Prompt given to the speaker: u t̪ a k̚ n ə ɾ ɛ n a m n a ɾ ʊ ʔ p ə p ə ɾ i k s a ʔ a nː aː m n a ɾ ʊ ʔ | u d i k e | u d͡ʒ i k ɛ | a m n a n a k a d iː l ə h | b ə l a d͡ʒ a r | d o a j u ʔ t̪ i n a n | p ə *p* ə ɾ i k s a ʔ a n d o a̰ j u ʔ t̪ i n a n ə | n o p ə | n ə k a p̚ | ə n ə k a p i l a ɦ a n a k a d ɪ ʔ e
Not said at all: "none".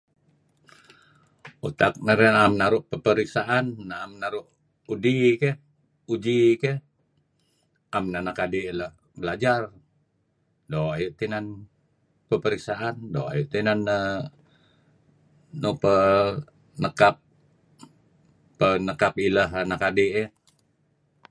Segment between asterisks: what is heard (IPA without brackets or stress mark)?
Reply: p